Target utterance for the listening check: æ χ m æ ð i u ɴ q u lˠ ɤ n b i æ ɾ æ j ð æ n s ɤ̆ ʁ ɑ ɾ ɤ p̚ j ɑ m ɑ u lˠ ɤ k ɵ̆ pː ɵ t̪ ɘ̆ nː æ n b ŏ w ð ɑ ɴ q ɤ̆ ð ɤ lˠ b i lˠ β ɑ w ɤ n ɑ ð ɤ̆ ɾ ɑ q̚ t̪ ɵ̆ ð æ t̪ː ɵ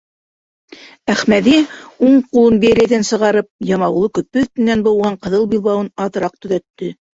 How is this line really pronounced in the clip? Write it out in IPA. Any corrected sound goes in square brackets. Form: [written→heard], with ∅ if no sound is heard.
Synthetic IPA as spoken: æ χ m æ ð i u ɴ q u lˠ ɤ n b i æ ɾ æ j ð æ n s ɤ̆ ʁ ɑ ɾ ɤ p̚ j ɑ m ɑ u lˠ ɤ k ɵ̆ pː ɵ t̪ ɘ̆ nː æ n b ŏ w [ð→ʁ] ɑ ɴ q ɤ̆ ð ɤ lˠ b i lˠ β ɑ w ɤ n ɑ ð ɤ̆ ɾ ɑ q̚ t̪ ɵ̆ ð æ t̪ː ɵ